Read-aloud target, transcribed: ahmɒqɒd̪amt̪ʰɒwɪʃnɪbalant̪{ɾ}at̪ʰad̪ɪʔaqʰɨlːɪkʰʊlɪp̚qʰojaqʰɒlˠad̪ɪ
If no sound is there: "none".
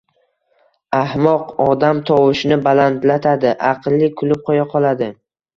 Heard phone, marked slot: l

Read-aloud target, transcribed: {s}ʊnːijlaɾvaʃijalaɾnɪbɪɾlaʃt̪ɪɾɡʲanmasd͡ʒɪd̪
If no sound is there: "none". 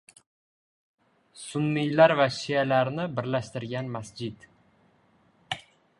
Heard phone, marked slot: s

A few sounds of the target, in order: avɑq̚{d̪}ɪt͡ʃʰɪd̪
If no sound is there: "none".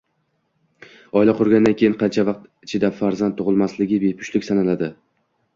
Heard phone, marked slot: t̪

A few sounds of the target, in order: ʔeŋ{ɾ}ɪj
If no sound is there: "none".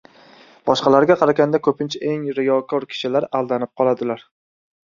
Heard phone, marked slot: ɾ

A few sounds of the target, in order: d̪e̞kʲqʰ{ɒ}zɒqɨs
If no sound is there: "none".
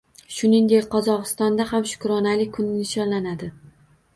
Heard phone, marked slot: ɒ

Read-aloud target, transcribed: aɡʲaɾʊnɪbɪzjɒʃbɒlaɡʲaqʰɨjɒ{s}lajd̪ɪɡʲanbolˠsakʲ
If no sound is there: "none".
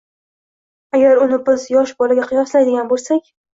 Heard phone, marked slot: s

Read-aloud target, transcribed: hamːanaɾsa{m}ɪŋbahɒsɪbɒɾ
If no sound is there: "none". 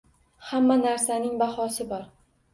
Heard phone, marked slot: n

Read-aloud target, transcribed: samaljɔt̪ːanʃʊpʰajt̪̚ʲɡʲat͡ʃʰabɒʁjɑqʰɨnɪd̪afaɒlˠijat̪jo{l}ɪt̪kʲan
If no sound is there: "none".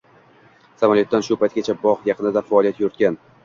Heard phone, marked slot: ɾ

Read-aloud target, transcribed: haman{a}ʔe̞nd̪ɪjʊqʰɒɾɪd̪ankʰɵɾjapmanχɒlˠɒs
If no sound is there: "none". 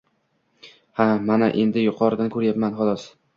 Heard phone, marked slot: a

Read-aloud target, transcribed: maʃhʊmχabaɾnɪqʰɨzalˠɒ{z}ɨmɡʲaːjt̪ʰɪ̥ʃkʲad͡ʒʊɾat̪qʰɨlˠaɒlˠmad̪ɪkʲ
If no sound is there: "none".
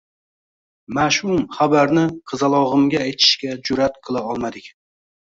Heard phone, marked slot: ʁ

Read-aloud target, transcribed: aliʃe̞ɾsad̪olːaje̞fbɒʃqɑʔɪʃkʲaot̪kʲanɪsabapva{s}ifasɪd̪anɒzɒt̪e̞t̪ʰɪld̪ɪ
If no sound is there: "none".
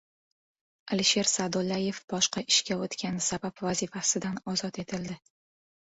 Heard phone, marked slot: z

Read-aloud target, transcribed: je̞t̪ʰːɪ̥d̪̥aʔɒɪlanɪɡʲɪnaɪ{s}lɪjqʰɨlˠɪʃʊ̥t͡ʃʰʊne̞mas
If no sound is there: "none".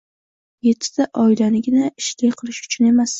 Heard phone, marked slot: ʃ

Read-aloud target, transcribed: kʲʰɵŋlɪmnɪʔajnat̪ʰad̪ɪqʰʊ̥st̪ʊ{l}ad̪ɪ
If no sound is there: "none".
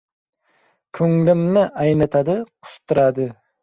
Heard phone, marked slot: ɾ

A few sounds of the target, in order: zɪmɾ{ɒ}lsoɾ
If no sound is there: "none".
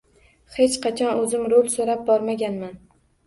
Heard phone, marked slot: o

